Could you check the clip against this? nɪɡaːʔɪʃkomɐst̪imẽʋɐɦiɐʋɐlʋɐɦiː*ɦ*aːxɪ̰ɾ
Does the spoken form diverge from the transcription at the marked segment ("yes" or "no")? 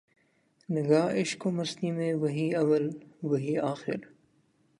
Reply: yes